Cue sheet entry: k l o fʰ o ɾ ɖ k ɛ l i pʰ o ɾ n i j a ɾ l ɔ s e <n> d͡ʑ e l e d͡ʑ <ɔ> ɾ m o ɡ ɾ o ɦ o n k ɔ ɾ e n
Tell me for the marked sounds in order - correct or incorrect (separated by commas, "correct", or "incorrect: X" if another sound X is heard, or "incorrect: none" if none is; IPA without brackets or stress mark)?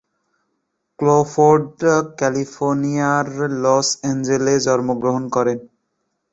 correct, correct